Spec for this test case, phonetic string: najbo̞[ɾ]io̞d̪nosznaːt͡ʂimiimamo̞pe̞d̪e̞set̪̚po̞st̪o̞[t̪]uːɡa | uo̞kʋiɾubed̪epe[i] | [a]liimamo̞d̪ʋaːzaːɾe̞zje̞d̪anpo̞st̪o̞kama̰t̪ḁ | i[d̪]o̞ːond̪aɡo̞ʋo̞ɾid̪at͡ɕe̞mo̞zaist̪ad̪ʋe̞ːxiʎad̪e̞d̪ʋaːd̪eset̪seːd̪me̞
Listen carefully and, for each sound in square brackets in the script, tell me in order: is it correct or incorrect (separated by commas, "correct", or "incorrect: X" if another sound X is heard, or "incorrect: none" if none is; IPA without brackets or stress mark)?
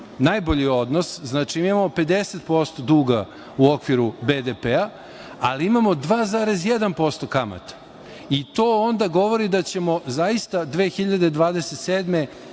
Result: incorrect: ʎ, incorrect: d̪, incorrect: a, correct, incorrect: t̪